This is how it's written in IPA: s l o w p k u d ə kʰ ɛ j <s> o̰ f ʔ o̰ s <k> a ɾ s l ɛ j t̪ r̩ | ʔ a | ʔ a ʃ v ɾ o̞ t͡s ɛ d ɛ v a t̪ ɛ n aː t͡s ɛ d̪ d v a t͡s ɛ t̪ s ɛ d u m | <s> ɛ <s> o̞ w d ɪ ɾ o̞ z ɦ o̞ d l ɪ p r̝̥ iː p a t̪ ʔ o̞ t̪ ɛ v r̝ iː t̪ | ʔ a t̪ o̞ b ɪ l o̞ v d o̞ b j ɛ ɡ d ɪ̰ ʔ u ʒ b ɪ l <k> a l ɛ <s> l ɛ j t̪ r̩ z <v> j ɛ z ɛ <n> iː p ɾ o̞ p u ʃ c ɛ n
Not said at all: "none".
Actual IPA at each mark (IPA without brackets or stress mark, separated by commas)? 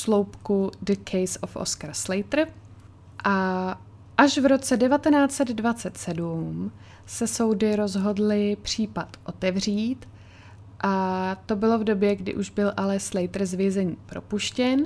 s, k, s, s, ʔ, s, v, ɲ